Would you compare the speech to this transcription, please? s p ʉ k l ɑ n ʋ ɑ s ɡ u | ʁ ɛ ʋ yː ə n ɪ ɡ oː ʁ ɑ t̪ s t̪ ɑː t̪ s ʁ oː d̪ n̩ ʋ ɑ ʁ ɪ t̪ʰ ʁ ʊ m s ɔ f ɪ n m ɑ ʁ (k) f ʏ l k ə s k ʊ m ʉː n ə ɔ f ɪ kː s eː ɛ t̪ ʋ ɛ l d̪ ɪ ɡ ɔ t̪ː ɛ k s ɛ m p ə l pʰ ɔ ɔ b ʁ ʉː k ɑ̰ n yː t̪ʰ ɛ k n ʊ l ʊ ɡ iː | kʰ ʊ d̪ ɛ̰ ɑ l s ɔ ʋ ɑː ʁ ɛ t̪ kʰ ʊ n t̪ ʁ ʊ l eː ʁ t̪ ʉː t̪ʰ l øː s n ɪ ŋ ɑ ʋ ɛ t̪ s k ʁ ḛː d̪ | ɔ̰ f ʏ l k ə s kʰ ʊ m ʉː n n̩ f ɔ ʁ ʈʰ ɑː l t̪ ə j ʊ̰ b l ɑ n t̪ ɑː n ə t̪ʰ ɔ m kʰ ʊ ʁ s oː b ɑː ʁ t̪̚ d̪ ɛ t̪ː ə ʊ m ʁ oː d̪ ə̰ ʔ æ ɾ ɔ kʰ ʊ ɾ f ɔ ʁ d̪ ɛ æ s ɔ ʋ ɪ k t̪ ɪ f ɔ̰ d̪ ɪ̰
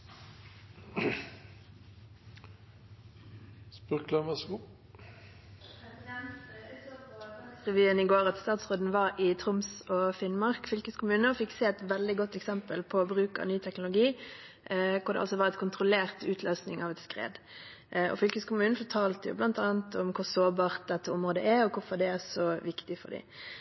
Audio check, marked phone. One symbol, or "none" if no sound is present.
k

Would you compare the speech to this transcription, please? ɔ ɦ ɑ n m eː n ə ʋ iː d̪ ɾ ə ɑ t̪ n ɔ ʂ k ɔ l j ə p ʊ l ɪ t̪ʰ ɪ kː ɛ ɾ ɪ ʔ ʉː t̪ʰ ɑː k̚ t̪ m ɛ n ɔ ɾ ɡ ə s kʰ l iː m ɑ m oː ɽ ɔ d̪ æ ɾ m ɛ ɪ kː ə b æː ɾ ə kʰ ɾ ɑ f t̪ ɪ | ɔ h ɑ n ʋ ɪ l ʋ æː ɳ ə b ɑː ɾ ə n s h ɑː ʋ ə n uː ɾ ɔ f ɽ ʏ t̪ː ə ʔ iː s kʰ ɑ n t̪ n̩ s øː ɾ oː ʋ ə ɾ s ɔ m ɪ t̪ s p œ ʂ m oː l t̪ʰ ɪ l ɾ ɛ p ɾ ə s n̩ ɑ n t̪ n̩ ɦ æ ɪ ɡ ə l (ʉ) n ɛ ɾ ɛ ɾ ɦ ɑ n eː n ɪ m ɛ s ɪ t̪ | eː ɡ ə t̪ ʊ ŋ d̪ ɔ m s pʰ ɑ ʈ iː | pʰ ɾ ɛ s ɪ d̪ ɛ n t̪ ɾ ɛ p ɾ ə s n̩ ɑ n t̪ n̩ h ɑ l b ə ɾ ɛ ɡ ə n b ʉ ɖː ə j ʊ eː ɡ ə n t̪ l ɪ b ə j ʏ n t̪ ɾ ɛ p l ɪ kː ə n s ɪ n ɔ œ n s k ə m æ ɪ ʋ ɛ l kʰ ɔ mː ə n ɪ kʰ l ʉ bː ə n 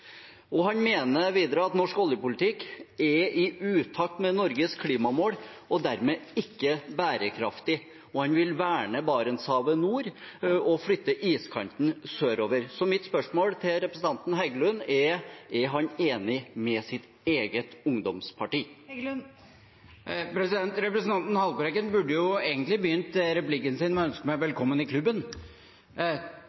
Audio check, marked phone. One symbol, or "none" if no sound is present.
ʉ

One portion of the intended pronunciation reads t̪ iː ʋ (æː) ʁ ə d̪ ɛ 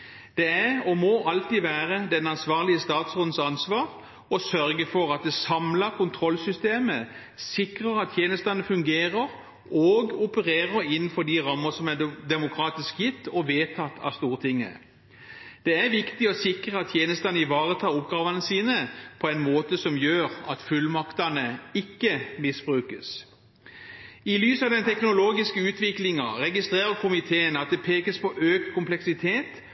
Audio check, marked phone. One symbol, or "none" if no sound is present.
æː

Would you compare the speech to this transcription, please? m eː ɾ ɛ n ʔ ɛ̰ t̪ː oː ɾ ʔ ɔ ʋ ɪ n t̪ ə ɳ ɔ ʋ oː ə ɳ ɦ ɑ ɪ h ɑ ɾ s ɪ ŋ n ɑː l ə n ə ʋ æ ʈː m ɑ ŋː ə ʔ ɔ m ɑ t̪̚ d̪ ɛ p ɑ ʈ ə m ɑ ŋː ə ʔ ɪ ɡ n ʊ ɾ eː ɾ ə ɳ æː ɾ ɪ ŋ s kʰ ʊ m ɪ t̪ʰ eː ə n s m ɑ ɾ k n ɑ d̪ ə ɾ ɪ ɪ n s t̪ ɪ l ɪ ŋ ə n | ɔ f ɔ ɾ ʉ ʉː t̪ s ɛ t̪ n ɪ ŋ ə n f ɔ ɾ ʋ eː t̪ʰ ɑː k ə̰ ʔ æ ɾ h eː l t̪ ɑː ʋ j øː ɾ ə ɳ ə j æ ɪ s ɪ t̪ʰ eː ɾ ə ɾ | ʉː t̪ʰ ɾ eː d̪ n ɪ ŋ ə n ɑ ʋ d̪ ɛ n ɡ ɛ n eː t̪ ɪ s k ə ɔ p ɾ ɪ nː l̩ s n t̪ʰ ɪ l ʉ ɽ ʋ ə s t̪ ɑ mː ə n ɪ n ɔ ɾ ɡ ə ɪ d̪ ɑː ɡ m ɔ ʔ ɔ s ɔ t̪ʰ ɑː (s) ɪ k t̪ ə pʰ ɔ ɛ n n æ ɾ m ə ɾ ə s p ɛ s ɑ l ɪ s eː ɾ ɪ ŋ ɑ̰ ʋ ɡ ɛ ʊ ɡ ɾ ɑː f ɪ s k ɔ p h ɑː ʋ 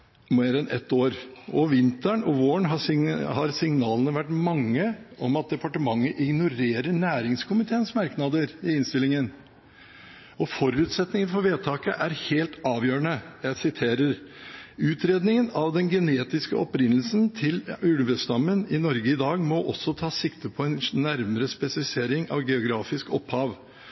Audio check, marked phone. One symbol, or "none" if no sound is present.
s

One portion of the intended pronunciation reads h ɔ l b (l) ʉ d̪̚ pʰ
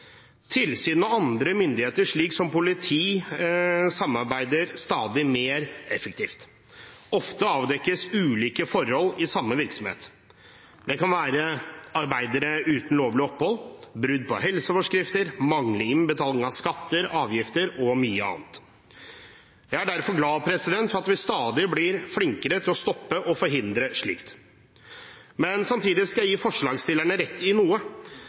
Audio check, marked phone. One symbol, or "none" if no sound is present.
ɾ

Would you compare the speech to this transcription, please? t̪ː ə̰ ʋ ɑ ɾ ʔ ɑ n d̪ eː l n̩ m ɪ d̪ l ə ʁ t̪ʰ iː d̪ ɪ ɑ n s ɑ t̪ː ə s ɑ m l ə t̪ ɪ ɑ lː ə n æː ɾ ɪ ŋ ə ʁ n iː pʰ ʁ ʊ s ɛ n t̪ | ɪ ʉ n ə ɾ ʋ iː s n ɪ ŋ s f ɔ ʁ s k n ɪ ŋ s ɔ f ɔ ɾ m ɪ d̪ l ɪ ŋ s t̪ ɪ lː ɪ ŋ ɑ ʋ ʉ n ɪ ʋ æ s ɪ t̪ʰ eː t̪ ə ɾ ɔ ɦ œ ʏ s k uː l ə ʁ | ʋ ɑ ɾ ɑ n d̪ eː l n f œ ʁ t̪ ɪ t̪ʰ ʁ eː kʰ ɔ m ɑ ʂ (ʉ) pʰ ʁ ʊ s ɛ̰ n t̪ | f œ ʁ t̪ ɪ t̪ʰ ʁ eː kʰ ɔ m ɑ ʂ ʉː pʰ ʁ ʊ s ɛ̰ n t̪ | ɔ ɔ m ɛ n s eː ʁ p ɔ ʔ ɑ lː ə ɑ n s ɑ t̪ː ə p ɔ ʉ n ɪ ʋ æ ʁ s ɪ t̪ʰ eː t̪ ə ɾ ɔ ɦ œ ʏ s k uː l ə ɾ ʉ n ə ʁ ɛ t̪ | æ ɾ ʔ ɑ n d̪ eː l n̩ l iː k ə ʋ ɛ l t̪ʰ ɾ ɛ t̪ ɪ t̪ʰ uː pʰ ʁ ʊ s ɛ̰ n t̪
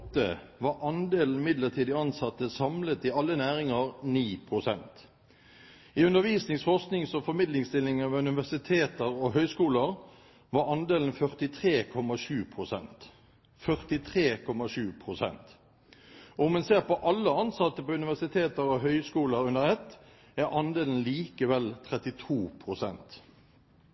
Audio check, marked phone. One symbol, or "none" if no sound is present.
ʉː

